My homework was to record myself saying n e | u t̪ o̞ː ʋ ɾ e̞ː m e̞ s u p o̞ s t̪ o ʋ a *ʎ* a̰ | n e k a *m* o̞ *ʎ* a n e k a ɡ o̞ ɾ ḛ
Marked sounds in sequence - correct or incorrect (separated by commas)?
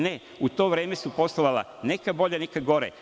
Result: incorrect, incorrect, correct